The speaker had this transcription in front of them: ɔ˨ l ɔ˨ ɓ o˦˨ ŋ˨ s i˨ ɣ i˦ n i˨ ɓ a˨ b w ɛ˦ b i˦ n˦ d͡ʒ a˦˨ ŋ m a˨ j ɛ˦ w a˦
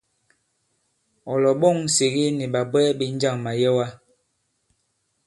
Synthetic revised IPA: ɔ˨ l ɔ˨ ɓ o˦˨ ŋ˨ s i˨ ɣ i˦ n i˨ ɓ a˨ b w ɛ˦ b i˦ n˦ d͡ʒ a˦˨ ŋ m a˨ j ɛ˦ w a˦